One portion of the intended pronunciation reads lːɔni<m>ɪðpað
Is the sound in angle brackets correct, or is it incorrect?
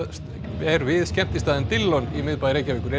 correct